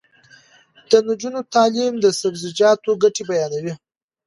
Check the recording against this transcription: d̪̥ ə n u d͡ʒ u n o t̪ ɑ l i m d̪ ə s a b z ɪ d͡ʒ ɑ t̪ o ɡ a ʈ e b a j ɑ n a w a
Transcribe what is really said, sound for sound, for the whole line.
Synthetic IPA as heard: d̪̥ ə n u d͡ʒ u n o t̪ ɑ l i m d̪ ə s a b z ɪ d͡ʒ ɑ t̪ o ɡ a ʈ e b a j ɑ n a w i